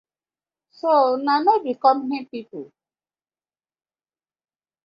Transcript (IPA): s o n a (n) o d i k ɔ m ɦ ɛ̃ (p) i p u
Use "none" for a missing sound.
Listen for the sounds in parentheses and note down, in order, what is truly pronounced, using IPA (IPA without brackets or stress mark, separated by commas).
n, p